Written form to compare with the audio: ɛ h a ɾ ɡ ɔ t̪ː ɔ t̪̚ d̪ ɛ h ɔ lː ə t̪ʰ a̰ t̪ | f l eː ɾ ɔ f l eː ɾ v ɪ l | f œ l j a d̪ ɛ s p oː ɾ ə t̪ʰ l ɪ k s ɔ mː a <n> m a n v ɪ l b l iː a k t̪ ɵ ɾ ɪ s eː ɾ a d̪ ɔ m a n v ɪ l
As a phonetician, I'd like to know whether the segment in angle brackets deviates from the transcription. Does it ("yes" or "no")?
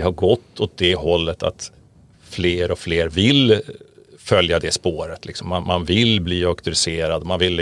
no